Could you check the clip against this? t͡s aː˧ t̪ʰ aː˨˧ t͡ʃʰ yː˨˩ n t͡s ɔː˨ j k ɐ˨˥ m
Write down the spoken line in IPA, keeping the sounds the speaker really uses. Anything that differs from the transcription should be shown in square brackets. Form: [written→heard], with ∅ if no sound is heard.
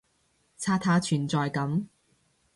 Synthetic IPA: [t͡s→t͡sʰ] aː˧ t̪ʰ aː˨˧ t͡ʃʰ yː˨˩ n t͡s ɔː˨ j k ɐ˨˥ m